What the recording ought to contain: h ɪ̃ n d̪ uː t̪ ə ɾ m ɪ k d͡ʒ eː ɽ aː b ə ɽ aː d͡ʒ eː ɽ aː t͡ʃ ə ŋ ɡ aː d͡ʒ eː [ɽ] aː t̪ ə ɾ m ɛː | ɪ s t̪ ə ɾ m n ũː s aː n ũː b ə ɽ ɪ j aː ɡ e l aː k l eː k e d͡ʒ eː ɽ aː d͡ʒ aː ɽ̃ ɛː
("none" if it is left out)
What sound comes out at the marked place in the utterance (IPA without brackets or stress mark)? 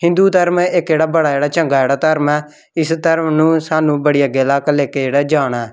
ɽ